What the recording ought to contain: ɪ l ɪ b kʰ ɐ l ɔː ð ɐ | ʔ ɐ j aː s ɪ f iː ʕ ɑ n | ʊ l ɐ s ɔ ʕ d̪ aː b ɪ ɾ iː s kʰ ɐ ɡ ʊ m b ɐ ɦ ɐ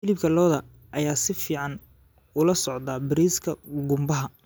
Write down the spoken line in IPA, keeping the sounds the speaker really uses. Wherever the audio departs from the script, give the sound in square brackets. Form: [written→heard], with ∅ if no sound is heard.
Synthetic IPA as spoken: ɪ l ɪ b kʰ ɐ l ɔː ð ɐ | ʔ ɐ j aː s ɪ f iː ʕ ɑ n | ʊ l ɐ s ɔ ʕ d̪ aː b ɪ ɾ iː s kʰ ɐ ɡ ʊ m b ɐ ɦ ɐ

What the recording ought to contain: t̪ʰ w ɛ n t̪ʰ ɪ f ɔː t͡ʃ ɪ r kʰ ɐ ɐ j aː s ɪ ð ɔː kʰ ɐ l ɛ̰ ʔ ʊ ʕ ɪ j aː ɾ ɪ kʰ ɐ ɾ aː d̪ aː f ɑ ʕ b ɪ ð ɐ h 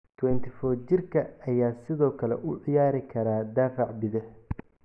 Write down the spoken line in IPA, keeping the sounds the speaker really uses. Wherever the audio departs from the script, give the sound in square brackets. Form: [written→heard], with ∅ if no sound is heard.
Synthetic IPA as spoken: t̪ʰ w ɛ n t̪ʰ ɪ f ɔː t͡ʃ ɪ r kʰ ɐ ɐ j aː s ɪ ð ɔː kʰ ɐ l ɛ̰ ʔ ʊ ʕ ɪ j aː ɾ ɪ kʰ ɐ ɾ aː d̪ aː f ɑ ʕ b ɪ ð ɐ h

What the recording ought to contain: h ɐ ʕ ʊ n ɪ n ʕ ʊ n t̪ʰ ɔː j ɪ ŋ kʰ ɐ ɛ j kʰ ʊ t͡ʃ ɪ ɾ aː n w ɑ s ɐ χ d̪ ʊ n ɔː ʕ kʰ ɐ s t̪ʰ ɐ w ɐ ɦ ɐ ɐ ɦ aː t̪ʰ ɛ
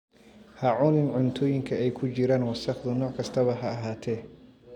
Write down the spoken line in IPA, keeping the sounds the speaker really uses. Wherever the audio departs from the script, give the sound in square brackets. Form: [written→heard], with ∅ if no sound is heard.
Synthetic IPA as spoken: h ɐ ʕ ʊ n ɪ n ʕ ʊ n t̪ʰ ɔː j ɪ ŋ kʰ ɐ ɛ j kʰ ʊ t͡ʃ ɪ ɾ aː n w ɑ s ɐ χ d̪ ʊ n ɔː ʕ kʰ ɐ s t̪ʰ ɐ [w→β] ɐ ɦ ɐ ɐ ɦ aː t̪ʰ ɛ

